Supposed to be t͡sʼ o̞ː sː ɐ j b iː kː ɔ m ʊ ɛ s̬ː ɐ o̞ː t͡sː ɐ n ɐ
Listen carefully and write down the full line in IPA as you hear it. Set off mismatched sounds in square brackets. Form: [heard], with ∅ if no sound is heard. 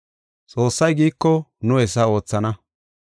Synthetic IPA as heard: t͡sʼ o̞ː sː ɐ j [ɡ] iː kː ɔ [n] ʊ ɛ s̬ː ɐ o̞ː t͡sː ɐ n ɐ